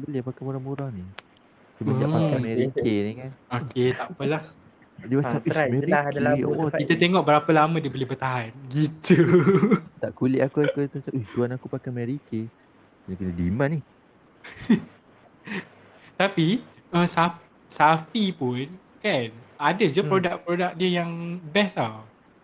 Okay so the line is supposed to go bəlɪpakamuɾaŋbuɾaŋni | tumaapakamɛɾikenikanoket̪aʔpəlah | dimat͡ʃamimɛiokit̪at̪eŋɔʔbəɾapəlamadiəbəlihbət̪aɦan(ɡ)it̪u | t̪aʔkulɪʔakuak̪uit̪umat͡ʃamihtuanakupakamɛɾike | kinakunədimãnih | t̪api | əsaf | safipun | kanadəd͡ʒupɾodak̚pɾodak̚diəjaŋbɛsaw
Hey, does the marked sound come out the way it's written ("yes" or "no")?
yes